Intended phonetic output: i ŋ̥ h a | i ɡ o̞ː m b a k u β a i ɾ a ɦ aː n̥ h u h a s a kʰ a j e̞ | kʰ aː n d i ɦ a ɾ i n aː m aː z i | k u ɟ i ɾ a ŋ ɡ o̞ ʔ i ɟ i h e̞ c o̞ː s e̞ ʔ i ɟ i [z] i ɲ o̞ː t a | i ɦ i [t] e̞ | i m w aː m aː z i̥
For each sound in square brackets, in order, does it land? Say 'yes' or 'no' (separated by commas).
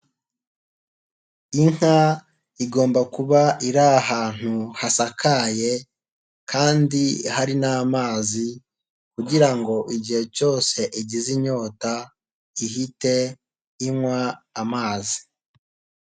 yes, yes